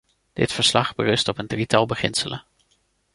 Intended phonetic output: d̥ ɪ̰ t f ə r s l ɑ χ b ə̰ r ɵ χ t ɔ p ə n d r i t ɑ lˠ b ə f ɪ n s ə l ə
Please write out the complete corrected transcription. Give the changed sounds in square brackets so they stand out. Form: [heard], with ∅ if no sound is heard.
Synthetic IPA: d̥ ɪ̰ t f ə [ɹ] s l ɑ χ b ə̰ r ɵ [s] t ɔ p ə n d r i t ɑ lˠ b ə [χ] ɪ n s ə l ə